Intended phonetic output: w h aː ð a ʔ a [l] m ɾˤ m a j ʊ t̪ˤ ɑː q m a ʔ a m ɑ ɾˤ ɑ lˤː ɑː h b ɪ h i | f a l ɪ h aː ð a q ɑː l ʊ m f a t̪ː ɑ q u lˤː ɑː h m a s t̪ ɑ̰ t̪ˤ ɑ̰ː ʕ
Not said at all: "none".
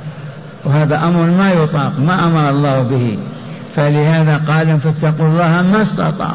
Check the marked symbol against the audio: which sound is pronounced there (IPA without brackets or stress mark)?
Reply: none